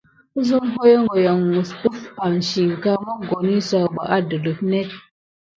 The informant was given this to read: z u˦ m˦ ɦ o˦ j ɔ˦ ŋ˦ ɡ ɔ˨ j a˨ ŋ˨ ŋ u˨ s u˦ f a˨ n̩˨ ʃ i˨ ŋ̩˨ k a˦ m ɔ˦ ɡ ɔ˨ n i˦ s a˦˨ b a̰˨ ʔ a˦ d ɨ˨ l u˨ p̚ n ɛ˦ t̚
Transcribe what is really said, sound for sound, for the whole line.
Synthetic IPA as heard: z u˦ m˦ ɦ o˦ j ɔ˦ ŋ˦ ɡ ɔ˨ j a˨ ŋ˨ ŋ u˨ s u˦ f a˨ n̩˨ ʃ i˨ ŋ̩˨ k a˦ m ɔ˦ ɡ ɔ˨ n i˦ s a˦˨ b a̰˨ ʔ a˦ d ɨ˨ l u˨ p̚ n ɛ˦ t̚